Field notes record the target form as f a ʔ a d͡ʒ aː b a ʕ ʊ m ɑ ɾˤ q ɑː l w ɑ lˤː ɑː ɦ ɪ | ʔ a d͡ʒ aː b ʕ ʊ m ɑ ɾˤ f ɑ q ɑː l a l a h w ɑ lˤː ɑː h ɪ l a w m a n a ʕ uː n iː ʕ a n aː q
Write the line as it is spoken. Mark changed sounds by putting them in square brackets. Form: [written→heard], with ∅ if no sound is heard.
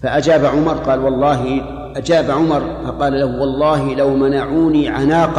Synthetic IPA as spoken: f a ʔ a d͡ʒ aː b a ʕ ʊ m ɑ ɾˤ q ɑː l w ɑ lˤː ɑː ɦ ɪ | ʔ a d͡ʒ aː b ʕ ʊ m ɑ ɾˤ f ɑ q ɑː l a l a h w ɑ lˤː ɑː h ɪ l a w m a n a ʕ uː n iː ʕ a n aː q